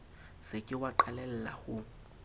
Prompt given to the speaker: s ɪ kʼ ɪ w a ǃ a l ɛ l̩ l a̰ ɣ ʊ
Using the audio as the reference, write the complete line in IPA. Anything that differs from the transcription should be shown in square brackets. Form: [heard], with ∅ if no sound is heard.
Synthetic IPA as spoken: s ɪ kʼ ɪ w a ǃ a l ɛ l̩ l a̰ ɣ ʊ